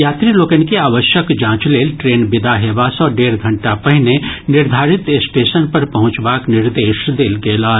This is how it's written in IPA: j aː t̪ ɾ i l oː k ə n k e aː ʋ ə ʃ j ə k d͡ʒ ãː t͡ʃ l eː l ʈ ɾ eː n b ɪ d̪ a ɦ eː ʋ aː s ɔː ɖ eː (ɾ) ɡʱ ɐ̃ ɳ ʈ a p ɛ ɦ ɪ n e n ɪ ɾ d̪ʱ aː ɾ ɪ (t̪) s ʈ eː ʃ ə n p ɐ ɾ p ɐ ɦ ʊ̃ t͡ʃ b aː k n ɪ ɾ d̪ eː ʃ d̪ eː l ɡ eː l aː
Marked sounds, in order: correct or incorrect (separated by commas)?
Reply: correct, correct